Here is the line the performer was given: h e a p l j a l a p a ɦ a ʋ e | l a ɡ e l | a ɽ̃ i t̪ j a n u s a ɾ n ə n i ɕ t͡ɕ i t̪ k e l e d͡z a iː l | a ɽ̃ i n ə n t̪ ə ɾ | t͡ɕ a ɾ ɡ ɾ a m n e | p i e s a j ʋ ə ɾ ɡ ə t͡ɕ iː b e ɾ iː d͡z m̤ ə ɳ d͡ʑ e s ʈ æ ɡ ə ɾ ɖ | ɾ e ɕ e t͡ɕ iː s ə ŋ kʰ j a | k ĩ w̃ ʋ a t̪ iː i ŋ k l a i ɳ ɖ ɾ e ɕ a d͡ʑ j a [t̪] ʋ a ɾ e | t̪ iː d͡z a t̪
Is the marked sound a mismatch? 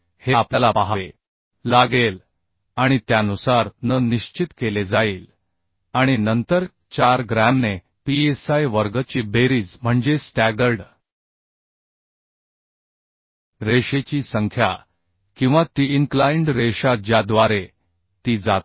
yes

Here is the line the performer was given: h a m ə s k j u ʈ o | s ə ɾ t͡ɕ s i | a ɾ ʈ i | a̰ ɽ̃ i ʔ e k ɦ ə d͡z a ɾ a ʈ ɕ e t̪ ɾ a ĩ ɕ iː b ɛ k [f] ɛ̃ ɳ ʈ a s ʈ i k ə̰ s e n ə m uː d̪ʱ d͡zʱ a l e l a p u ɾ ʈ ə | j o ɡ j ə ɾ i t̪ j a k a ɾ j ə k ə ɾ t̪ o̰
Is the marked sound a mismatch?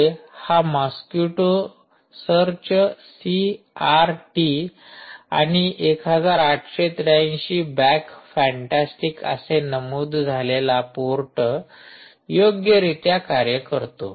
no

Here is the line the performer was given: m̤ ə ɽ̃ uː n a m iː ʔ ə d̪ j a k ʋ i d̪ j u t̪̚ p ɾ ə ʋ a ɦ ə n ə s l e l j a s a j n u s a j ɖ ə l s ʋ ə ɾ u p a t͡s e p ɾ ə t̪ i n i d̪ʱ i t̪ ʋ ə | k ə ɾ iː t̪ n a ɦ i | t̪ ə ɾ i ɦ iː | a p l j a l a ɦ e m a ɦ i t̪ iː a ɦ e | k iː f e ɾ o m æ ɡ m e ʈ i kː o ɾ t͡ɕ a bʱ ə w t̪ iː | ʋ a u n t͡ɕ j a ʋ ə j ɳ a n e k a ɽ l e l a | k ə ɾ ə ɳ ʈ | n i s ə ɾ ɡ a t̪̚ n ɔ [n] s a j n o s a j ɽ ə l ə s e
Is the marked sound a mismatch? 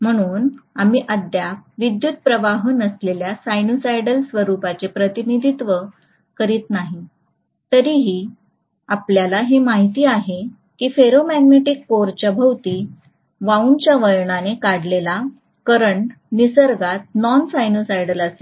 no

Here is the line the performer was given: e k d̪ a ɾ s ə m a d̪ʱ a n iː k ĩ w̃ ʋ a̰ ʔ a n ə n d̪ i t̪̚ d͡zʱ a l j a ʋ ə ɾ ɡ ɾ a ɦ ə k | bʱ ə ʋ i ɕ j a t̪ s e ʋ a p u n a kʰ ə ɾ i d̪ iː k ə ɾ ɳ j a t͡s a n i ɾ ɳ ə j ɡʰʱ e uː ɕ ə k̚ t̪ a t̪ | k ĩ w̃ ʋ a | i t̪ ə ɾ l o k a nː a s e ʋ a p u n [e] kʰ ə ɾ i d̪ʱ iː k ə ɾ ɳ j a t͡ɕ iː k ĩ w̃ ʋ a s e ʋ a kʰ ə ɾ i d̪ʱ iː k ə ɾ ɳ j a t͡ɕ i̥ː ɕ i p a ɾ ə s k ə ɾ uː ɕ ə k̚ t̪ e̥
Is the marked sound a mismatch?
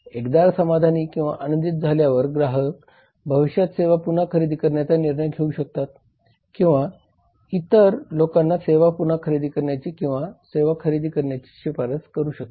yes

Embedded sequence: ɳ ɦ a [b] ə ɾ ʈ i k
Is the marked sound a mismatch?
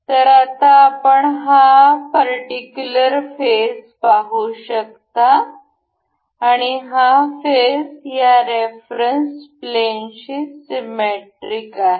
yes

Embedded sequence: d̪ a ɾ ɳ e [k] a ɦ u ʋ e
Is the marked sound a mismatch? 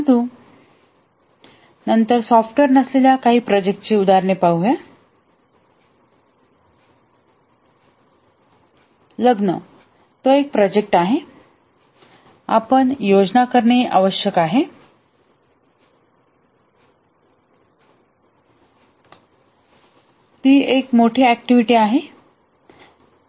yes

